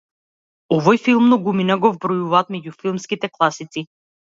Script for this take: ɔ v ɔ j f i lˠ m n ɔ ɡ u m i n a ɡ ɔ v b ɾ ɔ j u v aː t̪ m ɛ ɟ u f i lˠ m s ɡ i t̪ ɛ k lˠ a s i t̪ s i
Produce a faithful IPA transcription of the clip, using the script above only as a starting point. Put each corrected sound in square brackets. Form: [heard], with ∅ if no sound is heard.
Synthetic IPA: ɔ v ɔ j f i lˠ m n ɔ ɡ u m i n a ɡ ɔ v b ɾ ɔ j u v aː t̪ m ɛ ɟ u f i lˠ m s [k] i t̪ ɛ k lˠ a s i t̪ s i